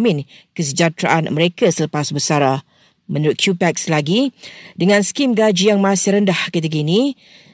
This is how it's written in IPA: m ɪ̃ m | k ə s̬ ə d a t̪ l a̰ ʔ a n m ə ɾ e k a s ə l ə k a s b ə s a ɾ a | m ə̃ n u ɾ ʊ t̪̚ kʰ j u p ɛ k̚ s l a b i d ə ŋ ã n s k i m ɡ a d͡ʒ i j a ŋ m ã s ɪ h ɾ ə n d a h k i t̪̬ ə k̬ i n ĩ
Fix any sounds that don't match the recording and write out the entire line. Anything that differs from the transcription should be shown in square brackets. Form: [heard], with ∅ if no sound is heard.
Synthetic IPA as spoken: m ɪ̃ [n] | k ə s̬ ə [d͡ʒ] a t̪ [ɾ] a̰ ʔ a n m ə ɾ e k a s ə l ə [p] a s b ə s a ɾ a | m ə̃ n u ɾ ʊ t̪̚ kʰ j u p ɛ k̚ s l a [ɡ] i d ə ŋ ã n s k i m ɡ a d͡ʒ i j a ŋ m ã s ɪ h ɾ ə n d a h k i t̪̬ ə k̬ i n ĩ